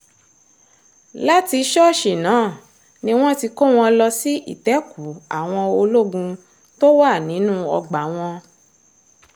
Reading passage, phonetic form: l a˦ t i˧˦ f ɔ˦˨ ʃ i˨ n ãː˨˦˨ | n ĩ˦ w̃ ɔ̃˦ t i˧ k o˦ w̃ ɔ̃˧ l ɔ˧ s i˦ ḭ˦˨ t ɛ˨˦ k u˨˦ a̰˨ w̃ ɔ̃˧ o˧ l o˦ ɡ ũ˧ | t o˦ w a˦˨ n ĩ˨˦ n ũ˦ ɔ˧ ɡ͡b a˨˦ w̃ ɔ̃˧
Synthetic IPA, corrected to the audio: l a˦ t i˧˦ ʃ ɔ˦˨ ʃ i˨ n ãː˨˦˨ | n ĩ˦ w̃ ɔ̃˦ t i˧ k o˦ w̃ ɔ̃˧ l ɔ˧ s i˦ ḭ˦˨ t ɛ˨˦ k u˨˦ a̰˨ w̃ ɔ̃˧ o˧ l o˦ ɡ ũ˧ | t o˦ w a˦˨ n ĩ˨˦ n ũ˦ ɔ˧ ɡ͡b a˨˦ w̃ ɔ̃˧